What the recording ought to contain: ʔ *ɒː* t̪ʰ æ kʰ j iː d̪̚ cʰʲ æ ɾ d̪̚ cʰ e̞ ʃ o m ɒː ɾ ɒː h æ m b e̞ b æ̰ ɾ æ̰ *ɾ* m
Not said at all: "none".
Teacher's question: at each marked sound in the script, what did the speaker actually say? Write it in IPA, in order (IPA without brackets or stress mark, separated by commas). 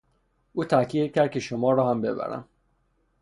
uː, none